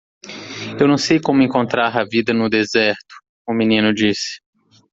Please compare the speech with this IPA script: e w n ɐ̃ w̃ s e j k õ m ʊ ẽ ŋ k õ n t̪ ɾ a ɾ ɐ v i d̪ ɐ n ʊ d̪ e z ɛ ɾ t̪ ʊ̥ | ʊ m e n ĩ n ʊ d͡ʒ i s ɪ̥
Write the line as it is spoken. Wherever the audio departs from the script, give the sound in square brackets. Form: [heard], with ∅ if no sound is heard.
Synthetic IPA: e w n ɐ̃ w̃ s e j k õ m ʊ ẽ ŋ k õ n t̪ ɾ a ɾ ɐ v i d̪ ɐ n ʊ d̪ e z ɛ ɾ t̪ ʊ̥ | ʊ m [i] n ĩ n ʊ d͡ʒ i s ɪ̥